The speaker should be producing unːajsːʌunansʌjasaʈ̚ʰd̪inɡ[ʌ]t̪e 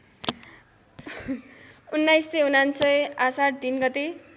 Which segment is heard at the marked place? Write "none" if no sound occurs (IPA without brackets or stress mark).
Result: ʌ